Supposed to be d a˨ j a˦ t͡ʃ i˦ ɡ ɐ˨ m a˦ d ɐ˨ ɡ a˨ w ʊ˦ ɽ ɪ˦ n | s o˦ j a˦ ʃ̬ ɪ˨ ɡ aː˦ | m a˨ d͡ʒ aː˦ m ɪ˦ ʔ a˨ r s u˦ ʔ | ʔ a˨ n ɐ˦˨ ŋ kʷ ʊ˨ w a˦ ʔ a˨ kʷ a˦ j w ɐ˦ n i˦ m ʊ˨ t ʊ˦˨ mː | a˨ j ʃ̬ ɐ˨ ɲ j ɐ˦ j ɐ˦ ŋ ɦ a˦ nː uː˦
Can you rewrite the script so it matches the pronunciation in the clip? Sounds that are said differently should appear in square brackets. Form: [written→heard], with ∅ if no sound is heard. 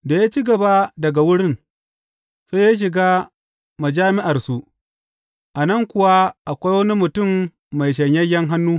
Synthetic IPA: d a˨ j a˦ t͡ʃ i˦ ɡ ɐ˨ [m→b] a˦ d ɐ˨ ɡ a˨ w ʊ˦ ɽ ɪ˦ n | s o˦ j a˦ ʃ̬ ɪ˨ ɡ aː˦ | m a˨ d͡ʒ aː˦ m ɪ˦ ʔ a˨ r s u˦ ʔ | ʔ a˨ n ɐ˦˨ ŋ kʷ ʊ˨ w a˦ ʔ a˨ kʷ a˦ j w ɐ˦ n i˦ m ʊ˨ t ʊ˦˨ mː | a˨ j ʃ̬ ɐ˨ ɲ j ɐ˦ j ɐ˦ ŋ ɦ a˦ nː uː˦